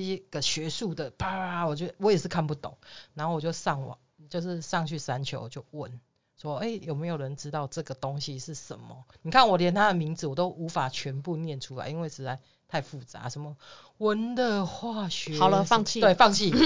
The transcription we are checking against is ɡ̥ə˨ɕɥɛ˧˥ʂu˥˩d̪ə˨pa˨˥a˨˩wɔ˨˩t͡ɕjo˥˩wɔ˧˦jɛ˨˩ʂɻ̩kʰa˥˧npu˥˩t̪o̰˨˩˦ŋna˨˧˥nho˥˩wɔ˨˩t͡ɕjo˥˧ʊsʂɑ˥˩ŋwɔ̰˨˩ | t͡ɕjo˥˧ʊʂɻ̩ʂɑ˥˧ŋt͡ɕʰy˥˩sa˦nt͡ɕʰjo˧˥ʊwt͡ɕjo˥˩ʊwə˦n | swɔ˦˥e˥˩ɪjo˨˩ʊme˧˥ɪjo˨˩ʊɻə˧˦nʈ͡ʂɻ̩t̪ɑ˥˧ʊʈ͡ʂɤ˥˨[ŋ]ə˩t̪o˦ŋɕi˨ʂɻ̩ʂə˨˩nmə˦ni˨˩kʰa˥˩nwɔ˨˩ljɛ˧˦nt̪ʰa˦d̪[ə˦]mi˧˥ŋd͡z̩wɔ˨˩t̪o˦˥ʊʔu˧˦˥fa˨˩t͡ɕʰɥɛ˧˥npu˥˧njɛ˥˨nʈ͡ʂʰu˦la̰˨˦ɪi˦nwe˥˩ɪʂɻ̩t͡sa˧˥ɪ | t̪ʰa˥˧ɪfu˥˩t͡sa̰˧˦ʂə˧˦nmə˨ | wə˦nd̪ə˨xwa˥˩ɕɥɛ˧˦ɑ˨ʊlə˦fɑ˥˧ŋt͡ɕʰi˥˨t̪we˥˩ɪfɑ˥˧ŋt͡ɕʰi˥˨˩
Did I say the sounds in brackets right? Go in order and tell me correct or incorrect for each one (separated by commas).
incorrect, incorrect